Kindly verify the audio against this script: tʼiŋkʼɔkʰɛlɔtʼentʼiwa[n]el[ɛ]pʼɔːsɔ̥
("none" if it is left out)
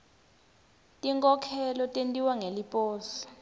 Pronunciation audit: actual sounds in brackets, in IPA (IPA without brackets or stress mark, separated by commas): ŋ, i